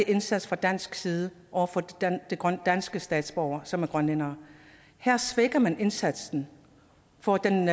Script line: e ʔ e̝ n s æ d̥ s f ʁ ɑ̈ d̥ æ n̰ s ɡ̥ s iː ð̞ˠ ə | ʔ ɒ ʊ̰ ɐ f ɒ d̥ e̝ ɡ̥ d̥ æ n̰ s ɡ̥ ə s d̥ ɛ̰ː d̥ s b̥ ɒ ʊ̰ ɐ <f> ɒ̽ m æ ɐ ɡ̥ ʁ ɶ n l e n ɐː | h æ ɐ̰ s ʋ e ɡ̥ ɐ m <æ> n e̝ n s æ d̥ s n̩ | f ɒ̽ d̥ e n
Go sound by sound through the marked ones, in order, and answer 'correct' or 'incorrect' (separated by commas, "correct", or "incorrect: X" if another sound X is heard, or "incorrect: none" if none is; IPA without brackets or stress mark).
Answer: incorrect: s, correct